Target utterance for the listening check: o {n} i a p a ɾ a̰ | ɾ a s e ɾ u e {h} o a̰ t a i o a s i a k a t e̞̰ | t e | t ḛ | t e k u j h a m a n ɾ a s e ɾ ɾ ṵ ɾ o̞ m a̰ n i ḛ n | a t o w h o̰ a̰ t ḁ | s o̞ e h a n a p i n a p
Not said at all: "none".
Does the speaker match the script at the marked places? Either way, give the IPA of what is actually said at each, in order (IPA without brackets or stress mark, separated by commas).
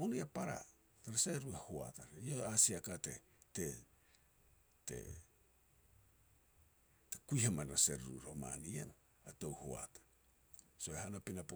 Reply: n, h